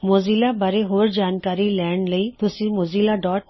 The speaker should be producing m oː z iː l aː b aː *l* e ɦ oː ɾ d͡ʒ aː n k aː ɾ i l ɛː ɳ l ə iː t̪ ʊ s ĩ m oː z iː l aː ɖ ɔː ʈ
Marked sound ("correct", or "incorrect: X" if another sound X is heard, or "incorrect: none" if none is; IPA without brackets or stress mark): incorrect: ɾ